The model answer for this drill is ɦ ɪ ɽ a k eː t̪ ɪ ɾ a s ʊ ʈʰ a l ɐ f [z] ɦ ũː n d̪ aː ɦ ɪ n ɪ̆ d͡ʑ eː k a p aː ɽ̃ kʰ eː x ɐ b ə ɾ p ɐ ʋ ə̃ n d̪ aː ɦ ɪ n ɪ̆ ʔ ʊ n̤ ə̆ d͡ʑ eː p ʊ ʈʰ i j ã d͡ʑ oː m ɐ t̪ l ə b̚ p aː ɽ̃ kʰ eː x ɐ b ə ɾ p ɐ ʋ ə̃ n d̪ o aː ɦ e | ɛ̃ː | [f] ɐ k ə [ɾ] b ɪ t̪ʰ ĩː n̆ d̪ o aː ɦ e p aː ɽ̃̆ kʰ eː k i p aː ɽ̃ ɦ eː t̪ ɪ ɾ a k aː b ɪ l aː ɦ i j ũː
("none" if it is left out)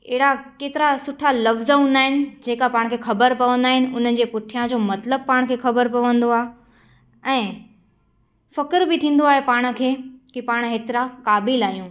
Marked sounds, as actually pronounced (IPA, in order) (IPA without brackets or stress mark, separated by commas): z, f, ɾ